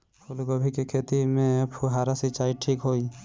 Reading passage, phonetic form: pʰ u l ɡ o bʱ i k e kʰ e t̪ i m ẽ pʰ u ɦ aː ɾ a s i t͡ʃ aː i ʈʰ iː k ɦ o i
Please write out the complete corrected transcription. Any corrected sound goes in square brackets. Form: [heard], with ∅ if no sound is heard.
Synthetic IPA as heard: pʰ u l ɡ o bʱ i k e kʰ e t̪ i m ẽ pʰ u ɦ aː ɾ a s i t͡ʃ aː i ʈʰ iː k ɦ o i